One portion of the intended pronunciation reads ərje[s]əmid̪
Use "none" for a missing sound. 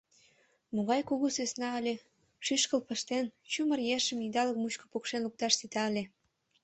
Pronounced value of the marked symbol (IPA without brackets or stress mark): ʃ